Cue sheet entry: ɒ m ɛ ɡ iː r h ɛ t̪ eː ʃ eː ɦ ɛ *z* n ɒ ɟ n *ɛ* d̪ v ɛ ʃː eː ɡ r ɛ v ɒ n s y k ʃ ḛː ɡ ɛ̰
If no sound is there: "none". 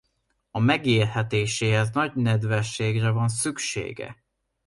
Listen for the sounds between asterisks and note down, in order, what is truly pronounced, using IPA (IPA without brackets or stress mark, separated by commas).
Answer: z, ɛ